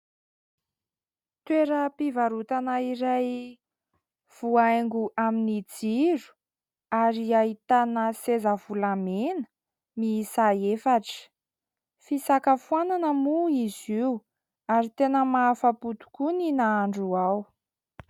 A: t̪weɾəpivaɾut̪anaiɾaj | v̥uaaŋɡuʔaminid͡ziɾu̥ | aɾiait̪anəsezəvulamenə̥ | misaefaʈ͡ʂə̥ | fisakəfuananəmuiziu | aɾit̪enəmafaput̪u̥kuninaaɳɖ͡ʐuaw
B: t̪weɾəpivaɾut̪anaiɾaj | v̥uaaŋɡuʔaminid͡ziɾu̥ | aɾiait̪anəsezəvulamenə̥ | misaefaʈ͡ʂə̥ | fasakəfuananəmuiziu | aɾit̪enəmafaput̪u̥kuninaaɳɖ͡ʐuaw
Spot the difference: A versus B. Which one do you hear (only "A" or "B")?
A